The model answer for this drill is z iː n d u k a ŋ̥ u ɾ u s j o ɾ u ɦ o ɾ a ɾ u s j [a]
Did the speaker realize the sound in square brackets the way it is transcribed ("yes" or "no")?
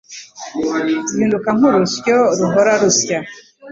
yes